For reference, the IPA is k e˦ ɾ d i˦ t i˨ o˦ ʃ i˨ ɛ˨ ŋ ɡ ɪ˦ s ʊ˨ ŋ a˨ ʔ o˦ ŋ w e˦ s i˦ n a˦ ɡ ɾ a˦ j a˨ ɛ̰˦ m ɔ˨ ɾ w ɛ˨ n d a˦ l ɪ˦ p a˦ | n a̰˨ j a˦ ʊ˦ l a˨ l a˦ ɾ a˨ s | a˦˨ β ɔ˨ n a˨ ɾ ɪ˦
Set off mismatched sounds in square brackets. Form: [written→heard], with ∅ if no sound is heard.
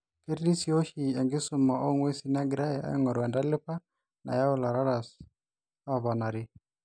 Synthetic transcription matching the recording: k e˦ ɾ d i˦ [t→s] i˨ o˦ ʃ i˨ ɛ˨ ŋ ɡ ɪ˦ s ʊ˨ [ŋ→m] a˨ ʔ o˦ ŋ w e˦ s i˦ n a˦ ɡ ɾ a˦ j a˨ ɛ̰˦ [m→ŋ] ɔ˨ ɾ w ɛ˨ n d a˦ l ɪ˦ p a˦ | n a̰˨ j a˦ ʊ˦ l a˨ [l→ɾ] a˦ ɾ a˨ s | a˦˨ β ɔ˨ n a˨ ɾ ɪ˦